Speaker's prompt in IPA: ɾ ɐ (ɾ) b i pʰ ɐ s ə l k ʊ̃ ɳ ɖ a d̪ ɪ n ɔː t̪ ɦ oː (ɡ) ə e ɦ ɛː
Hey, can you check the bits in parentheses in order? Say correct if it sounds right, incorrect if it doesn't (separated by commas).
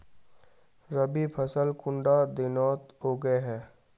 incorrect, correct